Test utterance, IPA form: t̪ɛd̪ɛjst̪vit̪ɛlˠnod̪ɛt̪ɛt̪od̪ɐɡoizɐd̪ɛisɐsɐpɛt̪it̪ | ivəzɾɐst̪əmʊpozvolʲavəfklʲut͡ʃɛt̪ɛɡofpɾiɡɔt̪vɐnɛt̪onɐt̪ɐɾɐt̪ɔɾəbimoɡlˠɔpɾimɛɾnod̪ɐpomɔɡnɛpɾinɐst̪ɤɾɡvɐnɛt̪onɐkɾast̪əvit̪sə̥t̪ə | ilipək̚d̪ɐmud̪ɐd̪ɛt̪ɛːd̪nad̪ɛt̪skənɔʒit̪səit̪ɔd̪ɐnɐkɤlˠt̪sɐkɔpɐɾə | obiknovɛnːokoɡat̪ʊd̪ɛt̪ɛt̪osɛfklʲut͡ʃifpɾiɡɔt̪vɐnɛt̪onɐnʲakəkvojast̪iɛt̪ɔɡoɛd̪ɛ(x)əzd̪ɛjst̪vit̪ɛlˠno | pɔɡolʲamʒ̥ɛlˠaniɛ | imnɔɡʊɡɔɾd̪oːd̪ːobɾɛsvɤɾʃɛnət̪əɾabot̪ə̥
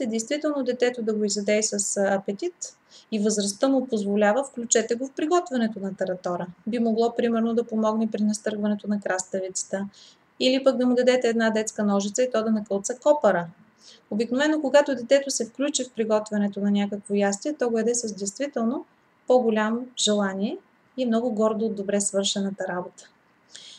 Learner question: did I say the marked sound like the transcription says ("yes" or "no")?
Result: no